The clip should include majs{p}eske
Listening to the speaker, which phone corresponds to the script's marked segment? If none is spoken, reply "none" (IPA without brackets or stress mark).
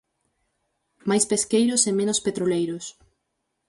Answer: p